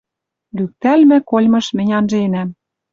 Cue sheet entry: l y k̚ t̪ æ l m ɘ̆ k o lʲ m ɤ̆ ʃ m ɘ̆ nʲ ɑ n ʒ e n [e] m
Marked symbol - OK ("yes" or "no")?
no